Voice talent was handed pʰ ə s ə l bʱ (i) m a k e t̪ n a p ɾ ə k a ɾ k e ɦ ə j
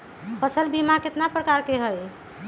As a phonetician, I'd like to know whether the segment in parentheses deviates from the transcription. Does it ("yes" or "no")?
no